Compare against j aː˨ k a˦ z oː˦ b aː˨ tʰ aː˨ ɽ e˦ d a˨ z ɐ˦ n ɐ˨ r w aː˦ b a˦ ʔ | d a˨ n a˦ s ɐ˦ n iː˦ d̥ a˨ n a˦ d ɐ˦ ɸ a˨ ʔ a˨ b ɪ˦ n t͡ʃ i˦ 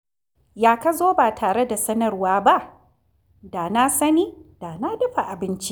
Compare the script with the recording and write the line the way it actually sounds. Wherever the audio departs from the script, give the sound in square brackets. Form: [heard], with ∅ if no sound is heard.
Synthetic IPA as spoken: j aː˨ k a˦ z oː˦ b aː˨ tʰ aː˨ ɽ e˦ d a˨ [s] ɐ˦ n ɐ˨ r w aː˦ b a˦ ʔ | d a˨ n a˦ s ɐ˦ n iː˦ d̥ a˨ n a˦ d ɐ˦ ɸ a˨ ʔ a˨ b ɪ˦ n t͡ʃ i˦